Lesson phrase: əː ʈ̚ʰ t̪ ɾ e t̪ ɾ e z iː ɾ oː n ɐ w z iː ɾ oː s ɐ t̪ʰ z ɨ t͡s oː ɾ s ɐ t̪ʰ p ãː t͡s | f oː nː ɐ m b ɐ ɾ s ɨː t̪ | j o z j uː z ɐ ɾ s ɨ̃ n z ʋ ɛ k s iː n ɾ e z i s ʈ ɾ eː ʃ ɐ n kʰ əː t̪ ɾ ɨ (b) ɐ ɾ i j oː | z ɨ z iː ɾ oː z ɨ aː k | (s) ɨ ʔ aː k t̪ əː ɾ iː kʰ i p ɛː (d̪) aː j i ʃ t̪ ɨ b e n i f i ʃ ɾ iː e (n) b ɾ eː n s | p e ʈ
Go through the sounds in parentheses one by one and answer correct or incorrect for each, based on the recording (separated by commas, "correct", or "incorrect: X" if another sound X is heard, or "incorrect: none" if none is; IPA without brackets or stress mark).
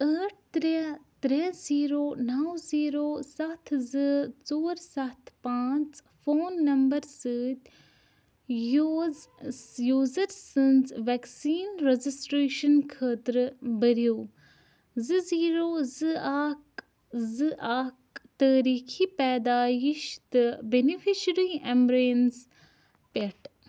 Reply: correct, incorrect: z, correct, incorrect: m